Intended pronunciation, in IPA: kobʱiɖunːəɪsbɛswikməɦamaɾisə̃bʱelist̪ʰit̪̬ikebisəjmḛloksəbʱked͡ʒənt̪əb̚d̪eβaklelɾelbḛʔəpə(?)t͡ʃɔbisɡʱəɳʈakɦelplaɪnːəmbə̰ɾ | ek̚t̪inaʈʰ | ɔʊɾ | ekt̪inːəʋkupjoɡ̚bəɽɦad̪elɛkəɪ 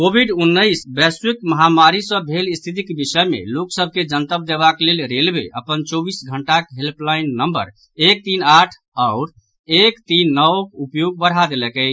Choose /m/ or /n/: n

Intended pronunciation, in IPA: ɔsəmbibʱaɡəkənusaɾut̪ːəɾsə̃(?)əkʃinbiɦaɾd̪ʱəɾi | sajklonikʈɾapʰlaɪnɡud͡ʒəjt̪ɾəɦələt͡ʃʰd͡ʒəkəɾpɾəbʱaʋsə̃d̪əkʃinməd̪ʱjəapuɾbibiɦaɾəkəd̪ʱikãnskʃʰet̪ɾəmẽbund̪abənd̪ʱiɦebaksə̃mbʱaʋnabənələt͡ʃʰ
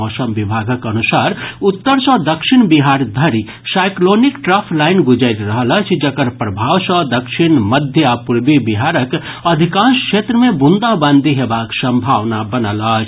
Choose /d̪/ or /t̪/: d̪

